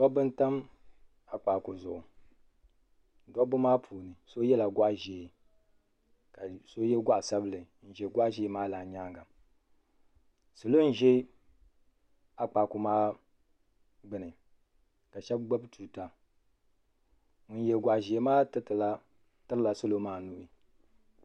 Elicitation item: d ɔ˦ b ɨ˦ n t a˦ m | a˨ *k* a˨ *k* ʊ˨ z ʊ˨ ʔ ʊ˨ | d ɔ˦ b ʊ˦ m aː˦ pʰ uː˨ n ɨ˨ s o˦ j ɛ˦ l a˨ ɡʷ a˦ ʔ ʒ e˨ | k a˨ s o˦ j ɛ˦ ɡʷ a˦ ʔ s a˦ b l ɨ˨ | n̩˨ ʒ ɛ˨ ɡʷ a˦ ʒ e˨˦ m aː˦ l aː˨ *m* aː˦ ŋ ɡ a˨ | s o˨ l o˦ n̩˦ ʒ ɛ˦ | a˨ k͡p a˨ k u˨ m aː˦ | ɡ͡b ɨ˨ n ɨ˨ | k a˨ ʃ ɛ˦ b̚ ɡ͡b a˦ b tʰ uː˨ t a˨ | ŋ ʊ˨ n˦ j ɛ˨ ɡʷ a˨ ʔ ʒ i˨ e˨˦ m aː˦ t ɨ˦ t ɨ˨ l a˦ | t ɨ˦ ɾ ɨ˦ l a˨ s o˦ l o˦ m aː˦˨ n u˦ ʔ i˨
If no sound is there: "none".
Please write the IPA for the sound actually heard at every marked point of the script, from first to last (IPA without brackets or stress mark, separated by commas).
k͡p, k, ɲ